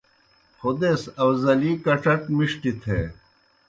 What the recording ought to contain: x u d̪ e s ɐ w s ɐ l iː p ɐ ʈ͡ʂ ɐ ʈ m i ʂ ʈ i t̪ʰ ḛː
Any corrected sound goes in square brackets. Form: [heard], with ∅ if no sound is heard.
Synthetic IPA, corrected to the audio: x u d̪ e s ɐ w [z] ɐ l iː [k] ɐ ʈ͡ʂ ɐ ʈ m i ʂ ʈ i t̪ʰ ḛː